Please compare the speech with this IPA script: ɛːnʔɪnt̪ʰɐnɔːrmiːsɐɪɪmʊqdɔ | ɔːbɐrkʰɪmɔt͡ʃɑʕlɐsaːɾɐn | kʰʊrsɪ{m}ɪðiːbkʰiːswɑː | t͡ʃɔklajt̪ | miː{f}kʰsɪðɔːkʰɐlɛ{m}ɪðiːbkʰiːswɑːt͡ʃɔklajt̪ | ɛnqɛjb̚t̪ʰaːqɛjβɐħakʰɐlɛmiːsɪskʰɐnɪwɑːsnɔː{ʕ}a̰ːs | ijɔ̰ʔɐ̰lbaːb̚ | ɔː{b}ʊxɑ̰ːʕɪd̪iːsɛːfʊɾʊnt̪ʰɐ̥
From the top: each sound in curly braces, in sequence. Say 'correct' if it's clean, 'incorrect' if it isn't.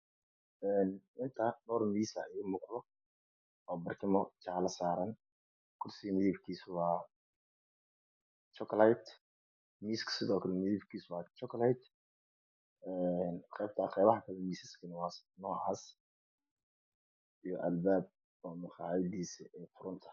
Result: correct, incorrect: s, correct, correct, incorrect: m

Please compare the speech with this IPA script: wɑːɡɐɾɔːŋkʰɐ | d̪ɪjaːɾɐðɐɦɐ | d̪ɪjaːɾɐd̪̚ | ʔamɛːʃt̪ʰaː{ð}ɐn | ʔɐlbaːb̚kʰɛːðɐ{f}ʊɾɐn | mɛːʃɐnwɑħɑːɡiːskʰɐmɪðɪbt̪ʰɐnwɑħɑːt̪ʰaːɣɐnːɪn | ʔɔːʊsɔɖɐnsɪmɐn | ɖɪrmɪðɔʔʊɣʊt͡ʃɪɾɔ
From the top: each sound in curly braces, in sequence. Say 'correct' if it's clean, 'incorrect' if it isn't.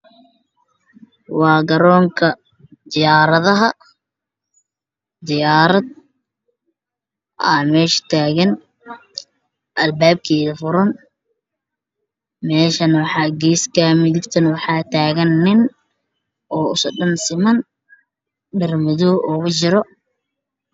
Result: incorrect: ɣ, correct

